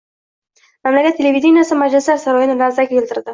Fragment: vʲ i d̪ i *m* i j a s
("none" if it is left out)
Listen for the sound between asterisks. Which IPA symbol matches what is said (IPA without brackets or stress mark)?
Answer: n